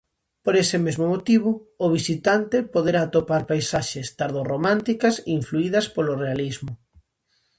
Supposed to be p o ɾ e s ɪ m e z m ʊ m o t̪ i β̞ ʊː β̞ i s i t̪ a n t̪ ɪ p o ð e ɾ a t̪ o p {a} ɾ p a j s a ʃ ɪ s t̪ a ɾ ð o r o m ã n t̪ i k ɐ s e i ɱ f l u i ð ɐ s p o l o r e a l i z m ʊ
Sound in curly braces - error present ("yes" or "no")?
no